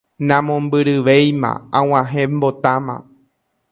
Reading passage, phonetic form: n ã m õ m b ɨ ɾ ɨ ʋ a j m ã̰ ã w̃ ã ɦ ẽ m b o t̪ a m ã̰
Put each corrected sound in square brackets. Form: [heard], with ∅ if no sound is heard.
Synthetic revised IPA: n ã m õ m b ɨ ɾ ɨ ʋ [e] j m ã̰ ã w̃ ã ɦ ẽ m b o t̪ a m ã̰